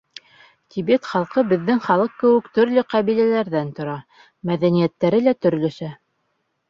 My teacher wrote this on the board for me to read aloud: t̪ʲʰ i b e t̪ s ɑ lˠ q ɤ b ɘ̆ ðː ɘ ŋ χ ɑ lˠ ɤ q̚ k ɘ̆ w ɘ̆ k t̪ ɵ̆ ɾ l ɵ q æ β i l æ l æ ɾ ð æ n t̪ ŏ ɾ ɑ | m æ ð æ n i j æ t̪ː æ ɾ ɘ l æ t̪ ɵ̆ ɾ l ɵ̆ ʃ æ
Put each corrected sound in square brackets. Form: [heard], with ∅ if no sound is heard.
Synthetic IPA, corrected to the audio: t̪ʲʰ i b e t̪ [χ] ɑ lˠ q ɤ b ɘ̆ ðː ɘ ŋ χ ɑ lˠ ɤ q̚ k ɘ̆ w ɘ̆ k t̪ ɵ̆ ɾ l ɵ q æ β i l æ l æ ɾ ð æ n t̪ ŏ ɾ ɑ | m æ ð æ n i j æ t̪ː æ ɾ ɘ l æ t̪ ɵ̆ ɾ l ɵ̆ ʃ æ